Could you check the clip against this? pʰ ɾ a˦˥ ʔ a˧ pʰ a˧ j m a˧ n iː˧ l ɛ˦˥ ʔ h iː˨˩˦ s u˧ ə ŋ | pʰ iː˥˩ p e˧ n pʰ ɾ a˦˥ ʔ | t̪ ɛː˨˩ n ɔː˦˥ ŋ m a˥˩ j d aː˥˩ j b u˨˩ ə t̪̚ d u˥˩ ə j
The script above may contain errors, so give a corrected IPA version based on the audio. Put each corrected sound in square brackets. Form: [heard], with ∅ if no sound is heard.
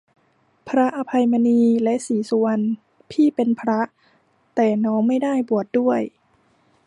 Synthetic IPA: pʰ ɾ a˦˥ ʔ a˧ pʰ a˧ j m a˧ n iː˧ l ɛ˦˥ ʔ [s] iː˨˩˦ s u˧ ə [n] | pʰ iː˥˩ p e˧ n pʰ ɾ a˦˥ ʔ | t̪ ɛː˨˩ n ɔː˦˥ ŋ m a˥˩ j d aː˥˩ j b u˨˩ ə t̪̚ d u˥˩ ə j